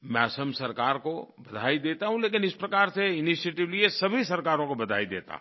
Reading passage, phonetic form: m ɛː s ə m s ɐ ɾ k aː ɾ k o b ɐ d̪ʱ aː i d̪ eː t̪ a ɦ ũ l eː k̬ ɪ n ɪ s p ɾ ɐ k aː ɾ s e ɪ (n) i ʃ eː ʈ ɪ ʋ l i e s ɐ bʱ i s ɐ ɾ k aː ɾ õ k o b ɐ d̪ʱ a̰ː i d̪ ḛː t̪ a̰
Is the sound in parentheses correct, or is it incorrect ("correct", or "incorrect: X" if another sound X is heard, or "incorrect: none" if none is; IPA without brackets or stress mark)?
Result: correct